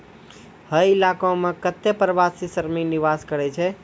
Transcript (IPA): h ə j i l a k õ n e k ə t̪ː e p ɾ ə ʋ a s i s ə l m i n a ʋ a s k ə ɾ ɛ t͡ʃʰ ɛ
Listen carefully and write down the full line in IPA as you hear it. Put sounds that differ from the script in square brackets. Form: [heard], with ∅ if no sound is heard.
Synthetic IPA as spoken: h ə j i l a k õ [m] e k ə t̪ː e p ɾ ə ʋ a s i s ə [ɾ] m i n [i] ʋ a s k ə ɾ ɛ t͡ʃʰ ɛ

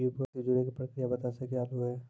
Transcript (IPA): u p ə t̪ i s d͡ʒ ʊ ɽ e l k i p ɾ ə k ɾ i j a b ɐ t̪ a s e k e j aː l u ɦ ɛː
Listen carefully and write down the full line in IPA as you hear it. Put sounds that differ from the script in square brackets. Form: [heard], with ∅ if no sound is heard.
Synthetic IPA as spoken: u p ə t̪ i [∅] d͡ʒ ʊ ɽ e [∅] k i p ɾ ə k ɾ i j a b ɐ t̪ a s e k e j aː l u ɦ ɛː

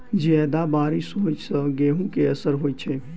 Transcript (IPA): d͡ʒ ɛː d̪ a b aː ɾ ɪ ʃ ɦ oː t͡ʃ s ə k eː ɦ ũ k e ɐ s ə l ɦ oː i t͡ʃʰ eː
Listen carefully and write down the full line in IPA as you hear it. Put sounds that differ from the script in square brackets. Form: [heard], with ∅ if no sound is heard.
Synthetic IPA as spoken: d͡ʒ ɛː d̪ a b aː ɾ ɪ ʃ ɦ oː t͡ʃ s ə [ɡ] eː ɦ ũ k e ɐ s ə [ɾ] ɦ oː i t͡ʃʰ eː

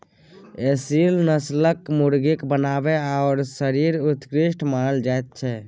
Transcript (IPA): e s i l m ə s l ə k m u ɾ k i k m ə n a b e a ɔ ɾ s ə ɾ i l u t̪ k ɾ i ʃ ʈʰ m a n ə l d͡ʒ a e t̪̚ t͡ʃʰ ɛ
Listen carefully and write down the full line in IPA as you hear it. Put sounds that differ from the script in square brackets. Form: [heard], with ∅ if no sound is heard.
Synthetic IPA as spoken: e s i l [n] ə s l ə k m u ɾ [ɡ] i k [b] ə n a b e a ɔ ɾ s ə ɾ i [ɾ] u t̪ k ɾ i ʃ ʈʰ m a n ə l d͡ʒ a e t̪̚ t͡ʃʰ ɛ

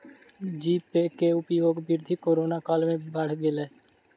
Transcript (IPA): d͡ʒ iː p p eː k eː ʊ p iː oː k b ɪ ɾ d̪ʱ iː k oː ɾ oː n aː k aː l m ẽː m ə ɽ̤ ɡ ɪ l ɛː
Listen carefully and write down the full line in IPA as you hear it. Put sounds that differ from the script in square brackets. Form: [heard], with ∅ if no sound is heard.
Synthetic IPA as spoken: d͡ʒ iː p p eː k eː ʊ p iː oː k b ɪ ɾ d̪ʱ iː k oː ɾ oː n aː k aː l m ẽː [b] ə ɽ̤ ɡ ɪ l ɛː

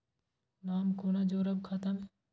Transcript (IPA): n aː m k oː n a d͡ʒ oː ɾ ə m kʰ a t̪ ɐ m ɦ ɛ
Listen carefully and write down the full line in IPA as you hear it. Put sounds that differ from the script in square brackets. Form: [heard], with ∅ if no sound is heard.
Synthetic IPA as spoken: n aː m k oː n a d͡ʒ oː ɾ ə [b] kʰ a t̪ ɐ m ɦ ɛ

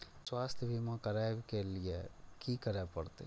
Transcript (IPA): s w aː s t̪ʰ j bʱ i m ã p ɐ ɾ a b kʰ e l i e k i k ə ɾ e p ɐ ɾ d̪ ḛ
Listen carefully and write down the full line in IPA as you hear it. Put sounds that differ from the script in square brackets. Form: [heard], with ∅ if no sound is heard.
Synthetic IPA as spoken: s w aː s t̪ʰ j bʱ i m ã [k] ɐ ɾ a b [k] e l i e k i k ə ɾ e p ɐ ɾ [t̪] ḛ

